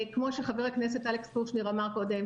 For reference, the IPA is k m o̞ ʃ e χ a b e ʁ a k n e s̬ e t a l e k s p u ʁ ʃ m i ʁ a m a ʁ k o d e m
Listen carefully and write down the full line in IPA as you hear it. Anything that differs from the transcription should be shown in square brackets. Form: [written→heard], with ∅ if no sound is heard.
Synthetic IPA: k m o̞ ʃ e χ a [b→v] e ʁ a k n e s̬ e t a l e k s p u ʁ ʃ [m→n] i ʁ a m a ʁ k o d e m